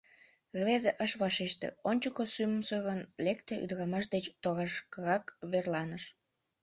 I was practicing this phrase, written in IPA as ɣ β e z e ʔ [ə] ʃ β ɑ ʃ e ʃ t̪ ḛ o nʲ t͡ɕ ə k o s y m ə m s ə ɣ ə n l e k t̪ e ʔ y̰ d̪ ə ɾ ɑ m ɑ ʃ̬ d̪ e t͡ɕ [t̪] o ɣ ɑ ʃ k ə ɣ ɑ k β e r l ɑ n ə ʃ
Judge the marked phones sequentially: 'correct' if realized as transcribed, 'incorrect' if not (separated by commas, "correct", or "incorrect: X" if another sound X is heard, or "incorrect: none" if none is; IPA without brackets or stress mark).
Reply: correct, correct